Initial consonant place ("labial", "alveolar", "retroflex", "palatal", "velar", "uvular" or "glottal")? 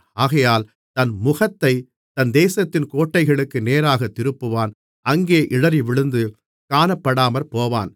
velar